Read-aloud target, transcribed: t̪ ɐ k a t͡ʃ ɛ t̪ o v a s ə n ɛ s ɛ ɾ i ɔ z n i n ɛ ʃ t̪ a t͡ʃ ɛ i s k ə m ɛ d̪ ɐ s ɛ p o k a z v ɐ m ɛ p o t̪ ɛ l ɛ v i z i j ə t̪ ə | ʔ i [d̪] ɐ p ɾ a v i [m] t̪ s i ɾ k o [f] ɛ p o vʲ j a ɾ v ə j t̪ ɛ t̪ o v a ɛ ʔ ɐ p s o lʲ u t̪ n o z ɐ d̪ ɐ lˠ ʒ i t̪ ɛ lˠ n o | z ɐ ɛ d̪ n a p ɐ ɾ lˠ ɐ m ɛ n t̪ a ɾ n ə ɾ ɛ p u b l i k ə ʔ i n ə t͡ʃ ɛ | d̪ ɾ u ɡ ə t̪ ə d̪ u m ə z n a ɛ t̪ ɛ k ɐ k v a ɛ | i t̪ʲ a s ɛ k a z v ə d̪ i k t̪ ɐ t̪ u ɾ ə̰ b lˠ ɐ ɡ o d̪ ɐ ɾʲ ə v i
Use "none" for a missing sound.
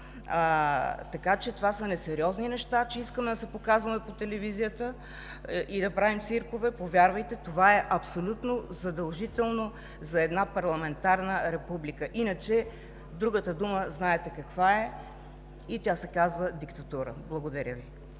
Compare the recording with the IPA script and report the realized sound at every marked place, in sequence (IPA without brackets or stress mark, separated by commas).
d̪, m, v